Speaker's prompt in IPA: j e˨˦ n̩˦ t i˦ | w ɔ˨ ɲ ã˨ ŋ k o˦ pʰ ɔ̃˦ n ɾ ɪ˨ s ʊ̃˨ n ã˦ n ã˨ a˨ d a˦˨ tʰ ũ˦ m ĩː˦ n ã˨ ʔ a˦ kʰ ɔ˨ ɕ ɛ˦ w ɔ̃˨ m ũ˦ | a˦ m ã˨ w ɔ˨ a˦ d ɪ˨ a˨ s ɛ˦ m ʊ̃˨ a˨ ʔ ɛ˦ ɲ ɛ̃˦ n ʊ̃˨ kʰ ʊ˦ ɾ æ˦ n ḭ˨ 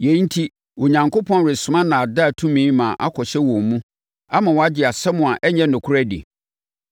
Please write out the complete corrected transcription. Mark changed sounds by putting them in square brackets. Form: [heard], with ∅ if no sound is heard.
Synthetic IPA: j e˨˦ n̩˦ [tʰ] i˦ | w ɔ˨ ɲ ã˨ ŋ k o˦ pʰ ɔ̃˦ n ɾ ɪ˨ s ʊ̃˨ [m] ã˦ n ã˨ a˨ d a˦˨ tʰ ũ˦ m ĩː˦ [m] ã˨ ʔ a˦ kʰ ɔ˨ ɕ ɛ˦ w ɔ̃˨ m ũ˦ | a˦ m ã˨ w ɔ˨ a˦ [d͡ʑ] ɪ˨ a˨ s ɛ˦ m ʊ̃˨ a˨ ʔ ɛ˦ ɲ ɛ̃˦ n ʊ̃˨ kʰ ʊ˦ ɾ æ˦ [d] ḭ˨